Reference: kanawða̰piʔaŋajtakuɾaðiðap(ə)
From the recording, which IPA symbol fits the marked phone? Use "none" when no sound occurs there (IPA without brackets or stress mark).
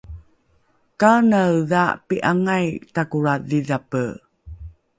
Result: ə